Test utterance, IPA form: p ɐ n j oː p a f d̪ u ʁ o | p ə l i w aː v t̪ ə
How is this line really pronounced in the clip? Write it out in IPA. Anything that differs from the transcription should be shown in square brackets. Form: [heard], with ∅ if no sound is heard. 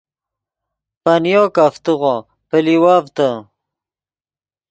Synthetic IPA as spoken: p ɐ n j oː [k] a f [t̪] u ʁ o | p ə l i w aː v t̪ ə